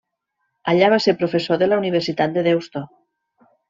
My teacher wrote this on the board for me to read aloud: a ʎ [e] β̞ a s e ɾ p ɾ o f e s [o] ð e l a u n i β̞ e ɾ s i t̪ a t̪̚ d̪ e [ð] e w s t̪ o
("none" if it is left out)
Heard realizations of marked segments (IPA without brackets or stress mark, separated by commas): a, o, ð